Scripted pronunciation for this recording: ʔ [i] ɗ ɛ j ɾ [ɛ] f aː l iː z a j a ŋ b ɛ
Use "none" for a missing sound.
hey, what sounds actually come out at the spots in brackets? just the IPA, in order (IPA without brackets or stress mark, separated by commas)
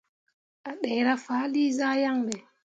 a, a